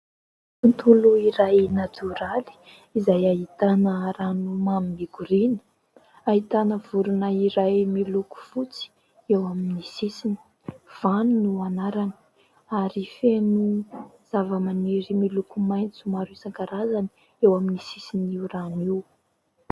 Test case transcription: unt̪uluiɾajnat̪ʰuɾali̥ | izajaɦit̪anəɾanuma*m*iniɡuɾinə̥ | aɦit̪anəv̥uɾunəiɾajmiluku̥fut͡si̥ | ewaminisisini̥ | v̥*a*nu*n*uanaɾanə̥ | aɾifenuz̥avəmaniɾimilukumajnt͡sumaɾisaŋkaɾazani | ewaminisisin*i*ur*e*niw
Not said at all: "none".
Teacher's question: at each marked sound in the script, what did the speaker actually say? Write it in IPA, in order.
m, a, n, i, a

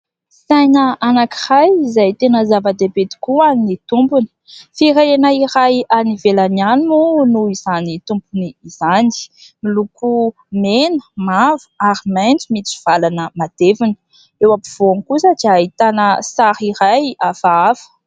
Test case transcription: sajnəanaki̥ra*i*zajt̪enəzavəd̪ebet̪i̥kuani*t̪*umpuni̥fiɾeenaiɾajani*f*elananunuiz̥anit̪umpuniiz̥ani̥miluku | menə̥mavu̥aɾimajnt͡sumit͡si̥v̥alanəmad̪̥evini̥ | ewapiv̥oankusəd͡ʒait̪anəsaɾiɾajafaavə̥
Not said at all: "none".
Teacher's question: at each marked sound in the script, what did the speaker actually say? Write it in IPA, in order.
j, t̪, v

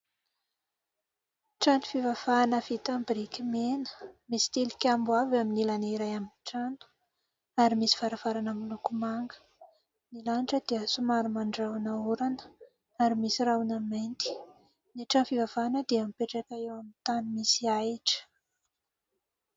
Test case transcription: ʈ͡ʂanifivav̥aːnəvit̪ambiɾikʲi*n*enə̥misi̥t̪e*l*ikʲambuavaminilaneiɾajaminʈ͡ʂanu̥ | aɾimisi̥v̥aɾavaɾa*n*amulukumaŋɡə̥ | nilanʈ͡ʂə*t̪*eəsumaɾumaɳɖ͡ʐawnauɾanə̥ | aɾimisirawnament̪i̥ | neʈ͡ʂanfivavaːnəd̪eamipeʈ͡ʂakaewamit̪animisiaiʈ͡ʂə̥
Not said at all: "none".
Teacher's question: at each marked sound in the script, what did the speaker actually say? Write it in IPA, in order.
m, l, n, d̪

